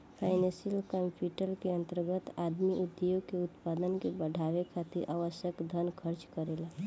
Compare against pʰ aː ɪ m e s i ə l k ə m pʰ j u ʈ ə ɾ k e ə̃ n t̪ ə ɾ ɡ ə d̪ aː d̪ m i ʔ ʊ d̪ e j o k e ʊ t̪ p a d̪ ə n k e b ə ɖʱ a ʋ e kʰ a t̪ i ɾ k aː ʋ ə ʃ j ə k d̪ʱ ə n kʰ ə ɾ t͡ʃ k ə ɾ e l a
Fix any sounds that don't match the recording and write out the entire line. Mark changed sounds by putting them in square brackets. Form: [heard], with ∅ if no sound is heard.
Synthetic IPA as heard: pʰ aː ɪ [n] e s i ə l k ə m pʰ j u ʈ ə [l] k e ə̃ n t̪ ə ɾ ɡ ə [t̪] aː d̪ m i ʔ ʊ d̪ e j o k e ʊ t̪ p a d̪ ə n k e b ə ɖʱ a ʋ e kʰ a t̪ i ɾ [ʔ] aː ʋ ə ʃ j ə k d̪ʱ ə n kʰ ə ɾ t͡ʃ k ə ɾ e l a